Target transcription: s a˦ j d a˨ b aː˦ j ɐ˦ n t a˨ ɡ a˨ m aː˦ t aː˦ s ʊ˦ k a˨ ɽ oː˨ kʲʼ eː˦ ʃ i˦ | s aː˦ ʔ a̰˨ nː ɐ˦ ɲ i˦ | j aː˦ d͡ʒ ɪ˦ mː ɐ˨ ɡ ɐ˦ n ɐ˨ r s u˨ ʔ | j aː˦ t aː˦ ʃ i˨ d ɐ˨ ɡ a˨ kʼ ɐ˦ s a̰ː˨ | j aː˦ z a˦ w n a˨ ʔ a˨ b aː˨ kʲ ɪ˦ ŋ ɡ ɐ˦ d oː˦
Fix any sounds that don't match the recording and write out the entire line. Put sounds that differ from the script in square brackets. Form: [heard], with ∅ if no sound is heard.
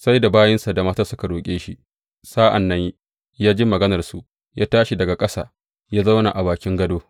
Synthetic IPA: s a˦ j d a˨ b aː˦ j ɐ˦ n [s] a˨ [d] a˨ m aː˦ t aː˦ s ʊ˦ k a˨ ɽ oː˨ kʲʼ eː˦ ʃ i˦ | s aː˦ ʔ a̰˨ nː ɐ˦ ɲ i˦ | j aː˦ d͡ʒ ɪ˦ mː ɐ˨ ɡ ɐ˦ n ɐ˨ r s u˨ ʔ | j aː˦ t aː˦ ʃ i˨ d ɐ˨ ɡ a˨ kʼ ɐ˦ s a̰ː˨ | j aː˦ z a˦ w n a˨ ʔ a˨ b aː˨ kʲ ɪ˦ ŋ ɡ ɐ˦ d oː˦